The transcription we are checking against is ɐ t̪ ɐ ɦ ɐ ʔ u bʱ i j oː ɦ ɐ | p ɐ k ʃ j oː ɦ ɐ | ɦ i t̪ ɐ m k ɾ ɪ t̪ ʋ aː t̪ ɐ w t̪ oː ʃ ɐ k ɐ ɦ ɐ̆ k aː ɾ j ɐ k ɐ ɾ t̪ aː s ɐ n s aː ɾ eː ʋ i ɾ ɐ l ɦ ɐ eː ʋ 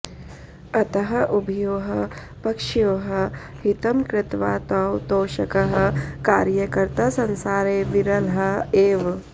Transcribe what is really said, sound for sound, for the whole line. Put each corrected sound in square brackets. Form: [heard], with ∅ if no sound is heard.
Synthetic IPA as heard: ɐ t̪ ɐ ɦ ɐ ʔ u bʱ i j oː ɦ ɐ | p ɐ k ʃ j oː ɦ ɐ | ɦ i t̪ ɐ m k ɾ ɪ t̪ ʋ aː t̪ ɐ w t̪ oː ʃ ɐ k ɐ ɦ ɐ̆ k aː ɾ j ɐ k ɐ ɾ t̪ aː s ɐ n s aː ɾ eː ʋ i ɾ ɐ l ɦ ɐ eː ʋ